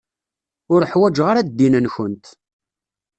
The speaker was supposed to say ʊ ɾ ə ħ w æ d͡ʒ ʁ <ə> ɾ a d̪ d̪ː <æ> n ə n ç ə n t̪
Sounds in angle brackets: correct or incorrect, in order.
incorrect, incorrect

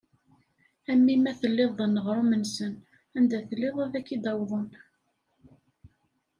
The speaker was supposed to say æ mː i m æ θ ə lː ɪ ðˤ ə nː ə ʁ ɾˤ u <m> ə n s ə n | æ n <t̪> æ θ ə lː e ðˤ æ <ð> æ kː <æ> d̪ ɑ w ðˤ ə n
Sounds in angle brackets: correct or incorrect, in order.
correct, incorrect, correct, incorrect

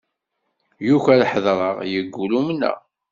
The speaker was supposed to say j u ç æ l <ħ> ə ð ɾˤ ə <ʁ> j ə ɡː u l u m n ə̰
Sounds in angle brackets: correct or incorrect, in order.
correct, correct

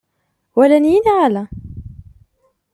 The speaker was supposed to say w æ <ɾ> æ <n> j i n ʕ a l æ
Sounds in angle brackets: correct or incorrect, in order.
incorrect, correct

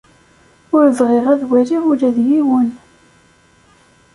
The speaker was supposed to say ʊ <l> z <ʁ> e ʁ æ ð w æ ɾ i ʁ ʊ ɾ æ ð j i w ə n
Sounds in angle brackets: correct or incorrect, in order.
incorrect, correct

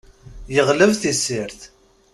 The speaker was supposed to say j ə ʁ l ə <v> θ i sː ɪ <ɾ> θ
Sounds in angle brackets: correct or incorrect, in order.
correct, correct

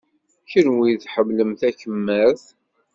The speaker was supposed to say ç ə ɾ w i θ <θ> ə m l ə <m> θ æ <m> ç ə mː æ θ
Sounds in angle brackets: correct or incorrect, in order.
incorrect, correct, incorrect

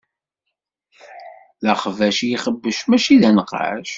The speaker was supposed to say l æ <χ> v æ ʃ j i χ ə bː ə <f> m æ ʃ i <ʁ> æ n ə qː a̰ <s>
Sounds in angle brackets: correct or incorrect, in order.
correct, incorrect, incorrect, incorrect

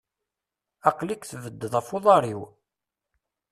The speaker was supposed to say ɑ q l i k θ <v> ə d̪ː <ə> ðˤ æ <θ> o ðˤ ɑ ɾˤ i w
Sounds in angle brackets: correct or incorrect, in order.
correct, correct, incorrect

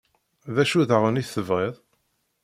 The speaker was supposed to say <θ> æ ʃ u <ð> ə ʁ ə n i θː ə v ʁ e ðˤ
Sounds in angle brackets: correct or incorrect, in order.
incorrect, correct

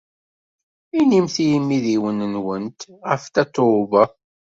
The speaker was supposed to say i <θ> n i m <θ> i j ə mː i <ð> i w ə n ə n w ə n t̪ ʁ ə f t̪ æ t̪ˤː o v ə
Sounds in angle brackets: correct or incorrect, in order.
incorrect, correct, correct

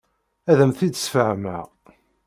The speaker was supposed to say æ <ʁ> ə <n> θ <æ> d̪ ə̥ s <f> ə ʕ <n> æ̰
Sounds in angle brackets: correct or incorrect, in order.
incorrect, incorrect, incorrect, correct, incorrect

